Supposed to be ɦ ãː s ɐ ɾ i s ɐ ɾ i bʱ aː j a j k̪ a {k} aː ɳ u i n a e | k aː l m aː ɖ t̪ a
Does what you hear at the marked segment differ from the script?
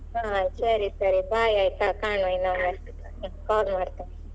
no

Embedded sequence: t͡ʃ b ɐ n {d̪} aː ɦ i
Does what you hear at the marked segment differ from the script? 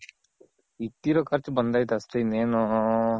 no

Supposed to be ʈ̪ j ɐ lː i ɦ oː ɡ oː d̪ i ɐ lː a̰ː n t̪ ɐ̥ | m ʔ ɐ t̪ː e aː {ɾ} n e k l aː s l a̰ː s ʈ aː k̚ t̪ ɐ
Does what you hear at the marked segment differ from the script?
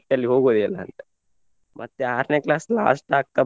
no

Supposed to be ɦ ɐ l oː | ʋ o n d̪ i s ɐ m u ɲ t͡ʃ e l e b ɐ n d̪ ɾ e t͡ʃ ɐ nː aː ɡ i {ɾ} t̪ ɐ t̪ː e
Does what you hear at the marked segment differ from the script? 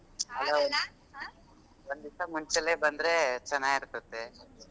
no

